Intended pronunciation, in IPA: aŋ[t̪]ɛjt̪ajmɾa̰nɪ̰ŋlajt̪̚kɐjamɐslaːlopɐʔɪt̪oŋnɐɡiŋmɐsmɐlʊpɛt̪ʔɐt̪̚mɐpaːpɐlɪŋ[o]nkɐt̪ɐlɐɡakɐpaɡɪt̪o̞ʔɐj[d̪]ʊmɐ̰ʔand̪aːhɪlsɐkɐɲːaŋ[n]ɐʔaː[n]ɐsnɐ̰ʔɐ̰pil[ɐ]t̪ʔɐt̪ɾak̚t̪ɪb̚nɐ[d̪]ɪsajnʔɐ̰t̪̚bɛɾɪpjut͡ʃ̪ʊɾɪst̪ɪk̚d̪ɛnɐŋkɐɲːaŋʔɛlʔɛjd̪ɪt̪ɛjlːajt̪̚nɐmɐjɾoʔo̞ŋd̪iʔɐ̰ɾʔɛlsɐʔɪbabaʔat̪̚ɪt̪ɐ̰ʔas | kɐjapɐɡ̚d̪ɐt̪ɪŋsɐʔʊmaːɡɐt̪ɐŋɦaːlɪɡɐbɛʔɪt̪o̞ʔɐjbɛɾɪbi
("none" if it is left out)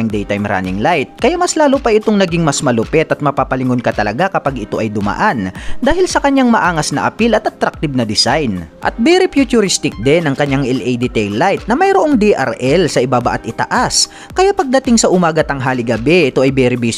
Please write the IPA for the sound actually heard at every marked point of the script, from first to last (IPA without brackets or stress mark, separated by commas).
d̪, o, d̪, m, ŋ, ɐ, d̪